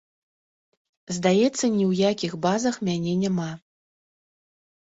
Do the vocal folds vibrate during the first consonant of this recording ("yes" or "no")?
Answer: yes